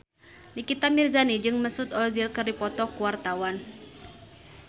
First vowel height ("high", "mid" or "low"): high